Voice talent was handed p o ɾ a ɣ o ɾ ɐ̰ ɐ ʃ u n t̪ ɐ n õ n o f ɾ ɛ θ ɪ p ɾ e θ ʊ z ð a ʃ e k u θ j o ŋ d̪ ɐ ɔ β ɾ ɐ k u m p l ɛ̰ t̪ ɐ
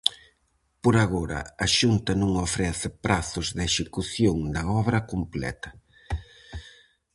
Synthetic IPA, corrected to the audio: p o ɾ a ɣ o ɾ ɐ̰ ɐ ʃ u n t̪ ɐ n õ ŋ o f ɾ ɛ θ ɪ p ɾ a θ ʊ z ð e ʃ e k u θ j o ŋ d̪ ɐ ɔ β ɾ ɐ k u m p l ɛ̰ t̪ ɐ